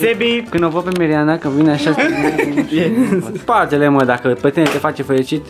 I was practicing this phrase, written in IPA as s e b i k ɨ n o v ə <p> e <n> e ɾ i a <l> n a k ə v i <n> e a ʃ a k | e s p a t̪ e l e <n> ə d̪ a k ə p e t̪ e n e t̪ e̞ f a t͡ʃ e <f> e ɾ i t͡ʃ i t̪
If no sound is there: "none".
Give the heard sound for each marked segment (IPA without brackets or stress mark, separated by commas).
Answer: p, m, none, n, m, f